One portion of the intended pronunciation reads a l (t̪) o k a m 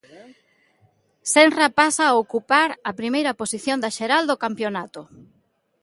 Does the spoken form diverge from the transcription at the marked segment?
yes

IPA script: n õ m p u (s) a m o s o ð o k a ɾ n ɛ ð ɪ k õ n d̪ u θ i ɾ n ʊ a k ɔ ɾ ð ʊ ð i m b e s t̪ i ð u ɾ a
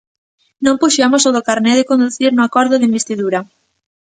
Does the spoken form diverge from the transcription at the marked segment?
yes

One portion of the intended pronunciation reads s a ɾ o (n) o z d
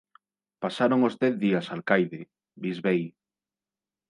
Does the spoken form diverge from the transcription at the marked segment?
yes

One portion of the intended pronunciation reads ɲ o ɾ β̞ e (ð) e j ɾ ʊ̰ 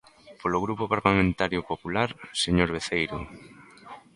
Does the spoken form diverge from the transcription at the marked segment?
yes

